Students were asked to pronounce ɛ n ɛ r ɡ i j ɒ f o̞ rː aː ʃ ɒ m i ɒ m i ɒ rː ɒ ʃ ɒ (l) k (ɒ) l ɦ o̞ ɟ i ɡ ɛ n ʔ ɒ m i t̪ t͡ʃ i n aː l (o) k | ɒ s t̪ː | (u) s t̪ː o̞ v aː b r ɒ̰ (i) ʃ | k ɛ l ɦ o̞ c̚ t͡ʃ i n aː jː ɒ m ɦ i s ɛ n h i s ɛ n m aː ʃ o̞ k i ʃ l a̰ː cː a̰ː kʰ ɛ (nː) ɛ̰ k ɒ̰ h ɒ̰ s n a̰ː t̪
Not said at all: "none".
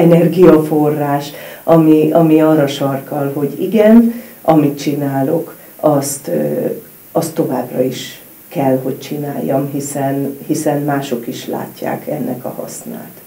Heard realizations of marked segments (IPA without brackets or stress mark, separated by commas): r, ɒ, o, ɒ, i, nː